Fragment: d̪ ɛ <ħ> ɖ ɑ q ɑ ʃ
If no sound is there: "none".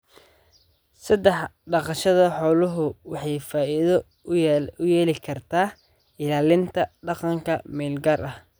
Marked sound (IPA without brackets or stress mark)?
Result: ħ